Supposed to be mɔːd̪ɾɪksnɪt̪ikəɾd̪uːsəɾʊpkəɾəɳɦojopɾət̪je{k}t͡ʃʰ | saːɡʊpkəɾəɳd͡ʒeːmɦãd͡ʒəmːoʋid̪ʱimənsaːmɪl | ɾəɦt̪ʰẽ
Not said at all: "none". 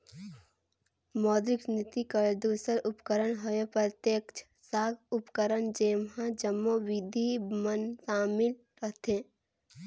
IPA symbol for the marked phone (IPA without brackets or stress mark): k